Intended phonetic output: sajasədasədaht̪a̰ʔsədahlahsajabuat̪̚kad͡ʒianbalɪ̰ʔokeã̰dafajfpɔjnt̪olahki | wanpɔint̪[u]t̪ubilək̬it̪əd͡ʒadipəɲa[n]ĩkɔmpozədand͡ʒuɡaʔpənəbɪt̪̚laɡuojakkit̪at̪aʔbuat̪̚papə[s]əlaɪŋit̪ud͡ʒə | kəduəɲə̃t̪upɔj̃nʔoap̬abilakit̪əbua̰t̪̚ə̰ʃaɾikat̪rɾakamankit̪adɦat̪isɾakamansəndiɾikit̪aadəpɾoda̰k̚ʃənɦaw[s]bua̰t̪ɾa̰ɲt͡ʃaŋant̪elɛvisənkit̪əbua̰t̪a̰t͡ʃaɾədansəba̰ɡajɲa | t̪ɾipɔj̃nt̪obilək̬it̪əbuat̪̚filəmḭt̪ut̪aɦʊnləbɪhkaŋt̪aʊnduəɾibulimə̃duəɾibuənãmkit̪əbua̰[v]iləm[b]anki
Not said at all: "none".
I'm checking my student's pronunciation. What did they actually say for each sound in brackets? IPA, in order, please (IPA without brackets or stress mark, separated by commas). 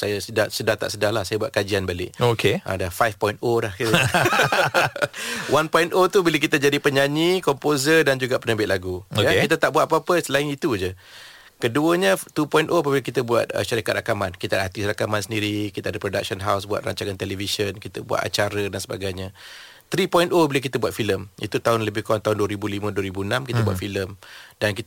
o, ɲ, s, s, f, d